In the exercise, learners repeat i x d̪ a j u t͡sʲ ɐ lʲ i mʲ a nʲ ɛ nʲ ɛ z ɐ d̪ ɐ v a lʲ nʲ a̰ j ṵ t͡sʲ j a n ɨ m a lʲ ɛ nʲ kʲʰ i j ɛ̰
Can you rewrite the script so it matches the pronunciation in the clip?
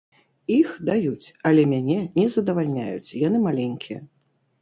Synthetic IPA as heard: i x d̪ a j u t͡sʲ ɐ lʲ ɛ mʲ a nʲ ɛ nʲ ɛ z ɐ d̪ ɐ v a lʲ nʲ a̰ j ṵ t͡sʲ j a n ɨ m a lʲ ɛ nʲ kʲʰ i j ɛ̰